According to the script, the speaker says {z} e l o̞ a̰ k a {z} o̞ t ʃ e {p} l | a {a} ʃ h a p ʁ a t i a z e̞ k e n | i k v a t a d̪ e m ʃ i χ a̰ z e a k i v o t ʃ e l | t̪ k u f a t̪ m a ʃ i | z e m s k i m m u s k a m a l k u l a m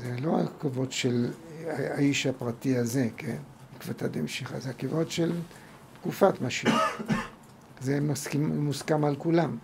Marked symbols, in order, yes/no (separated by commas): yes, no, no, no